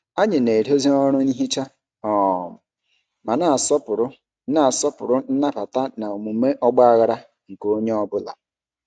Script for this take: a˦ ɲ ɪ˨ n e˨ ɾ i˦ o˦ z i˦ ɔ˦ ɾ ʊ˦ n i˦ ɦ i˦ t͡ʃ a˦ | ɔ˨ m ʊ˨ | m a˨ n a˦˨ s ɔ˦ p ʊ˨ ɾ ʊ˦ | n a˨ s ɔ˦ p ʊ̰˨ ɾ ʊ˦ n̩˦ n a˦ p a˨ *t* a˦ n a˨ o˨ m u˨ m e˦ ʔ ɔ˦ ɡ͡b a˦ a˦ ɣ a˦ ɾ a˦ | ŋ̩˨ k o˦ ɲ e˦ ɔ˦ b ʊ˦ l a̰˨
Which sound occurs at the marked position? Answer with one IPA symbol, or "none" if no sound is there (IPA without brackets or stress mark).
t